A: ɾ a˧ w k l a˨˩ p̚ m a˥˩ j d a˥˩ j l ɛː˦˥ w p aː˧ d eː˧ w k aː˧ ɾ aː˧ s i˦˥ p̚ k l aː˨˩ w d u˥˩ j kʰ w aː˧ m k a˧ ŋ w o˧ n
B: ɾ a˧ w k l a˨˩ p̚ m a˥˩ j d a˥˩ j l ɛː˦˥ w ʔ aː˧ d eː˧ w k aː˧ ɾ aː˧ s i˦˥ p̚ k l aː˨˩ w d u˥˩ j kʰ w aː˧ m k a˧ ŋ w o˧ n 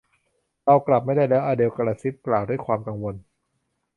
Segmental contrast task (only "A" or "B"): B